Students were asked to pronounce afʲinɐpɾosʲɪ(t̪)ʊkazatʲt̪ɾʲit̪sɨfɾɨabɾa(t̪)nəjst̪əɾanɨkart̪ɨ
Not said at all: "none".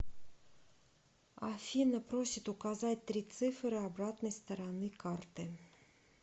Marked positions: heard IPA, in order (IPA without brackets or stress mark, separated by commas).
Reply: t̪, t̪